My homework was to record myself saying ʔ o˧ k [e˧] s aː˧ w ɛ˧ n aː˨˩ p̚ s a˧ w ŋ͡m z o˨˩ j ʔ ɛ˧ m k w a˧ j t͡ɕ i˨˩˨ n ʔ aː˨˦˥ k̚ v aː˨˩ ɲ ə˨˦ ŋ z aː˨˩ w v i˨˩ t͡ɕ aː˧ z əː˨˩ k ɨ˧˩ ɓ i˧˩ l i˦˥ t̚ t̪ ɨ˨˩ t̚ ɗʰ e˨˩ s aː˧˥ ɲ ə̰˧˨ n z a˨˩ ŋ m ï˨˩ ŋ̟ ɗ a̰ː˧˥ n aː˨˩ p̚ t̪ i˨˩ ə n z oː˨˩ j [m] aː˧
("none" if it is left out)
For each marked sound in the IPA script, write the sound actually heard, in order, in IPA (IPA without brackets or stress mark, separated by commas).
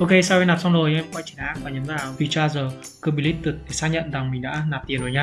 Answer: e˧, ɲ